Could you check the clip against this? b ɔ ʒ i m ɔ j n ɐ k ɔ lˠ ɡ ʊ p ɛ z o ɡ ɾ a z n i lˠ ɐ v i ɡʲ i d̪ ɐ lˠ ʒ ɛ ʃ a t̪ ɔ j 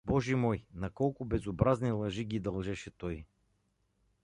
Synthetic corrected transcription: b ɔ ʒ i m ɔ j n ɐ k ɔ lˠ k ʊ b ɛ z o b ɾ a z n i lˠ ɐ ʒ i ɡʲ i d̪ ɐ lˠ ʒ ɛ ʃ ɛ t̪ ɔ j